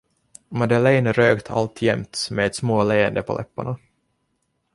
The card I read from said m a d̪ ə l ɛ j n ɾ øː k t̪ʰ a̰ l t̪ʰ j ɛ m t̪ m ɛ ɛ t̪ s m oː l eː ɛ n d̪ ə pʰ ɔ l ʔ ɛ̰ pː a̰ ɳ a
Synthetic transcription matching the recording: m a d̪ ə l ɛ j n ɾ øː k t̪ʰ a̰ l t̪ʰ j ɛ m t̪ m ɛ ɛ t̪ s m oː l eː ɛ n d̪ ə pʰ ɔ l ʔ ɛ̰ pː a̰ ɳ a